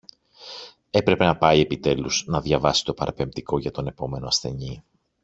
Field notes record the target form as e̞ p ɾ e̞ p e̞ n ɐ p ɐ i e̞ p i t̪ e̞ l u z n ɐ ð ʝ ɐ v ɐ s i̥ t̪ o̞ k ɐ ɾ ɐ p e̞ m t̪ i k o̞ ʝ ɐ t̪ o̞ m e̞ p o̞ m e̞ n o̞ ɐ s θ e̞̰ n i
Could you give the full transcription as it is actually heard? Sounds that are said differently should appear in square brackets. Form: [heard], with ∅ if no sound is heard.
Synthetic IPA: e̞ p ɾ e̞ p e̞ n ɐ p ɐ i e̞ p i t̪ e̞ l u z n ɐ ð ʝ ɐ v ɐ s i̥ t̪ o̞ [p] ɐ ɾ ɐ p e̞ m t̪ i k o̞ ʝ ɐ t̪ o̞ [n] e̞ p o̞ m e̞ n o̞ ɐ s θ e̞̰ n i